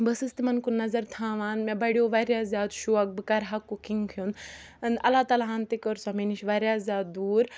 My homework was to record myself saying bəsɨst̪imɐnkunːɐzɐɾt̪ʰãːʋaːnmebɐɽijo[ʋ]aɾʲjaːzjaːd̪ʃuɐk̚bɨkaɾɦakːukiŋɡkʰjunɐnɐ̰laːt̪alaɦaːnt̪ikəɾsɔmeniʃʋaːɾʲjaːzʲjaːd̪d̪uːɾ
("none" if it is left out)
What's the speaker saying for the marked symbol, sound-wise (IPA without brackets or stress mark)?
ʋ